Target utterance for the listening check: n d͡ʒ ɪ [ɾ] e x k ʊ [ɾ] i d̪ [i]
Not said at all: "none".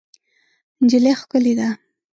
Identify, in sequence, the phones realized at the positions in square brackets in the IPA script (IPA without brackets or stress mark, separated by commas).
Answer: l, l, a